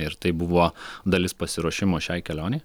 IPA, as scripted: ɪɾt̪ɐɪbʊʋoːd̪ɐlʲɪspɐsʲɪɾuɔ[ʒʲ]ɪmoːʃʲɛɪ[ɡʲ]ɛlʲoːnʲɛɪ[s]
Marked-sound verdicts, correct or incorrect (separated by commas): incorrect, incorrect, incorrect